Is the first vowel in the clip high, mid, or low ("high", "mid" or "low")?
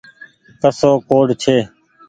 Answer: mid